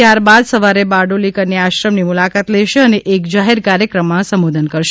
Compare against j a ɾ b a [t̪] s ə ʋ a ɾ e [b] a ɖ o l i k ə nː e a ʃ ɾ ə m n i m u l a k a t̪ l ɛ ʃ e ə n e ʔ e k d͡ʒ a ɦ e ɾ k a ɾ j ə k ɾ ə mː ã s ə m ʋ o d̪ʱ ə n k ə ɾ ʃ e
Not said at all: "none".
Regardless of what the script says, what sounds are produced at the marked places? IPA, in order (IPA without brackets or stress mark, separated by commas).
d̪, b